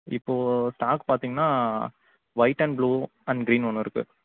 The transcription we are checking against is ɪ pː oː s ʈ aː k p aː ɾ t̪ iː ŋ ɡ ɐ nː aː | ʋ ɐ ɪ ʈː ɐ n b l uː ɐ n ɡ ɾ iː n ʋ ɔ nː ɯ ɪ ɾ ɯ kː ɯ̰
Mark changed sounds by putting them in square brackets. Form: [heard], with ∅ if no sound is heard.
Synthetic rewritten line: ɪ pː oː s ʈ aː k p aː ɾ t̪ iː ŋ ɡ ɐ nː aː | ʋ ɐ ɪ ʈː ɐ n b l uː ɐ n ɡ ɾ iː n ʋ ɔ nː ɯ ɪ ɾ ɯ kː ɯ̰